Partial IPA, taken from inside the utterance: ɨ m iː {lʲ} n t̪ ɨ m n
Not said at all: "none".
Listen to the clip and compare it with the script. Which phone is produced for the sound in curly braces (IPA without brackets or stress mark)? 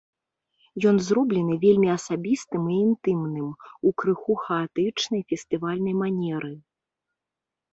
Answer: none